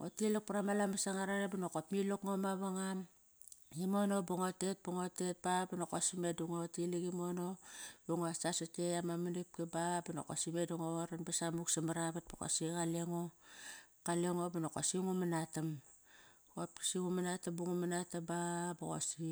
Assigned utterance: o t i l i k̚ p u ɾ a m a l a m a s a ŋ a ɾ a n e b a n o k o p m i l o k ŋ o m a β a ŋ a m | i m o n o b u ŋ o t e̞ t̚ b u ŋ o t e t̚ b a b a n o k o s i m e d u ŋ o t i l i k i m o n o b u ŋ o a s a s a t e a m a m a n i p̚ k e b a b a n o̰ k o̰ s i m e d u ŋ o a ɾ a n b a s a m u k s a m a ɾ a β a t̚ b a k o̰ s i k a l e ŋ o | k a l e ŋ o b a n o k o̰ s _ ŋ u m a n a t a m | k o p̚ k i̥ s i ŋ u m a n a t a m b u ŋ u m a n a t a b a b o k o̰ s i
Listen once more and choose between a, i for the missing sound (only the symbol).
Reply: i